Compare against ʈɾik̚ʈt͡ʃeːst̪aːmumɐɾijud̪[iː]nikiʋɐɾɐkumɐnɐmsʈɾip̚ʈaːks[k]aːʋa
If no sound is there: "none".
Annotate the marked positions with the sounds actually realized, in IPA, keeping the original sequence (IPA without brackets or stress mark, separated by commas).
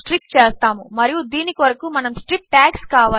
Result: iː, k